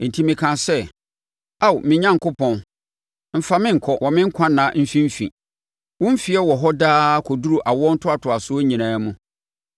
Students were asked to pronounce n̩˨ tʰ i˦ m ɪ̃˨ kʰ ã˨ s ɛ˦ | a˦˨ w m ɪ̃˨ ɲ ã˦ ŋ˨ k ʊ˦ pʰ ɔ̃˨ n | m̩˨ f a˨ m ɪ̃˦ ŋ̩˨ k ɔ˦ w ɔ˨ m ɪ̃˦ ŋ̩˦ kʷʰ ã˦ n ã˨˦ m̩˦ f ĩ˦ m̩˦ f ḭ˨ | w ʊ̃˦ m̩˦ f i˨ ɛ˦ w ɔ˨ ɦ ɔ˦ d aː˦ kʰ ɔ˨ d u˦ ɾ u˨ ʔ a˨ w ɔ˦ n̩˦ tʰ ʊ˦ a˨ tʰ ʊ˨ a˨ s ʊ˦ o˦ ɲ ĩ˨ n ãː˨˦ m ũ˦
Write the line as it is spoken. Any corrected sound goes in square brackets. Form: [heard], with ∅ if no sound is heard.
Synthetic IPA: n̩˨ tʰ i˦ m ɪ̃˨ kʰ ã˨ s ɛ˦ | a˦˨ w m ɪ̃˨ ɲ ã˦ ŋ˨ k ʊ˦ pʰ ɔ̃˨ n | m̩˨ f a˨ m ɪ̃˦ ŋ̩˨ [kʰ] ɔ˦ w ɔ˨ m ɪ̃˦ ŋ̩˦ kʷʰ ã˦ n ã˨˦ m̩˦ f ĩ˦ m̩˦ f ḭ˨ | w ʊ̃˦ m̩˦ f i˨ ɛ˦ w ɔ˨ ɦ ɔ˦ d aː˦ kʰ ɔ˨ d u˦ ɾ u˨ ʔ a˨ w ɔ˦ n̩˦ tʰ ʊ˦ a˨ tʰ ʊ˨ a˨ s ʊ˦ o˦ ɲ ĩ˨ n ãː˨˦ m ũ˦